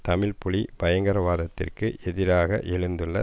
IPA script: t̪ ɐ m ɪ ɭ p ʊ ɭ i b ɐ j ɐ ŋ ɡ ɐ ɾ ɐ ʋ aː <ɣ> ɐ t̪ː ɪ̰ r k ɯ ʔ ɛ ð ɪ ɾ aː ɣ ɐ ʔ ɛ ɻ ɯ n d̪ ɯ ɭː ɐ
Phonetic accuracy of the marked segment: incorrect: ð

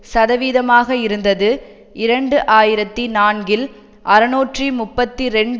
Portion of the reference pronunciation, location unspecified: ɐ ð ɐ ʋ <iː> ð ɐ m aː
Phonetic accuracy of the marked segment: correct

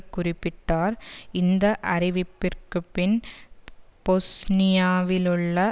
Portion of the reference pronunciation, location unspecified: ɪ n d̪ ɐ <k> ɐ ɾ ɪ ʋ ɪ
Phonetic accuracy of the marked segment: incorrect: ʔ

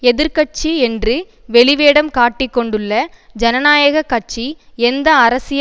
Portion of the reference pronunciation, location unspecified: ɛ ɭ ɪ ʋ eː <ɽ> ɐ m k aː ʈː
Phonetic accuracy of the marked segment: correct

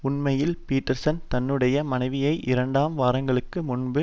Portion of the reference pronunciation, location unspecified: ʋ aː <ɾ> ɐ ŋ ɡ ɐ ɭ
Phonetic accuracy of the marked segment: correct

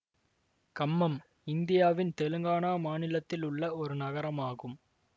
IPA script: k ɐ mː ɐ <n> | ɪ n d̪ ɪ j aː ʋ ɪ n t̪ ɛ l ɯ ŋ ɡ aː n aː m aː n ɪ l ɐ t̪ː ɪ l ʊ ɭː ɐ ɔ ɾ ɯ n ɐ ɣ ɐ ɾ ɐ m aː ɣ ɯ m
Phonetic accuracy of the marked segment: incorrect: m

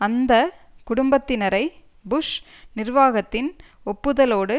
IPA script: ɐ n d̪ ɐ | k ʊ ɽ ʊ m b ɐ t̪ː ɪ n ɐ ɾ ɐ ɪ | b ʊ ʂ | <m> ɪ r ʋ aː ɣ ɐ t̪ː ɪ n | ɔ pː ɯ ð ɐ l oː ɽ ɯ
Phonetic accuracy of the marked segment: incorrect: n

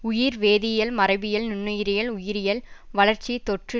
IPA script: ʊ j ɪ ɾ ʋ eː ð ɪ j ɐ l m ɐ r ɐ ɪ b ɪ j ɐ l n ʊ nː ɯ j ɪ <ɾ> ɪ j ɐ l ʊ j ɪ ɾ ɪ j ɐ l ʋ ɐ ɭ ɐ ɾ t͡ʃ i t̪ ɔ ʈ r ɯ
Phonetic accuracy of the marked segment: correct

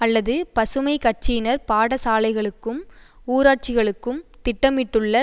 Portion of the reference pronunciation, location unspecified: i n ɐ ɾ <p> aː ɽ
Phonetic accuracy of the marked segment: correct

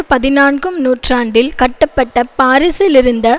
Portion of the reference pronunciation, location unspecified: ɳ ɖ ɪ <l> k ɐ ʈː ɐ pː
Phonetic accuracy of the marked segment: correct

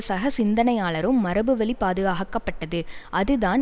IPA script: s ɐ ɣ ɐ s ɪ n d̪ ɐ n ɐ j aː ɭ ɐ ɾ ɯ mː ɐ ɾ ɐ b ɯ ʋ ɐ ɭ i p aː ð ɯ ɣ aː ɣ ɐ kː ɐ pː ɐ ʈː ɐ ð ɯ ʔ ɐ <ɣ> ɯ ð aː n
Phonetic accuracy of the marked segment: incorrect: ð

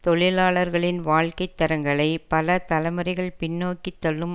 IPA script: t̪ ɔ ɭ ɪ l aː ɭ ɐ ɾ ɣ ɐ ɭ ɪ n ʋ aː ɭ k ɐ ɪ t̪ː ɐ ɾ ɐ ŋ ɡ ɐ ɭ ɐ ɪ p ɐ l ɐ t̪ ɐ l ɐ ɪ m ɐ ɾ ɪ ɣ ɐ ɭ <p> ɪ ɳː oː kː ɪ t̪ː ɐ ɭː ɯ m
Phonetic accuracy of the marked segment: correct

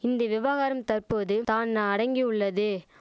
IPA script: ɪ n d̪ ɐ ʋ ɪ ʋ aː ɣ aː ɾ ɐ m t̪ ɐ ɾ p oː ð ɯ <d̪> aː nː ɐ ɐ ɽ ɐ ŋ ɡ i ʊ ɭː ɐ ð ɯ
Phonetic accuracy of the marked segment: incorrect: t̪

